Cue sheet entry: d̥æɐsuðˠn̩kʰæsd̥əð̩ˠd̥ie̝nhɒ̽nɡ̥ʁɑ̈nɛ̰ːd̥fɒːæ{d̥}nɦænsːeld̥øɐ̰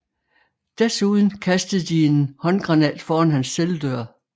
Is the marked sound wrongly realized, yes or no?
yes